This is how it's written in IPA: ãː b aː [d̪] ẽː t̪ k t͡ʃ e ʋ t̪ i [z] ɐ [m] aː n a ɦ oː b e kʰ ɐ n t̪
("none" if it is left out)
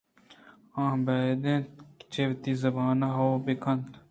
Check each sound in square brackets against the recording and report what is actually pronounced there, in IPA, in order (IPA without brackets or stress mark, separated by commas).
d̪, z, b